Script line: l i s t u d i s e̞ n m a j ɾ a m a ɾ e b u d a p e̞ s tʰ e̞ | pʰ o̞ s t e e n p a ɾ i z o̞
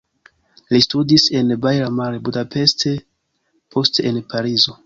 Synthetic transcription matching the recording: l i s t u d i s e̞ n b a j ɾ a m a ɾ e b u d a p e̞ s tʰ e̞ | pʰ o̞ s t e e n p a ɾ i z o̞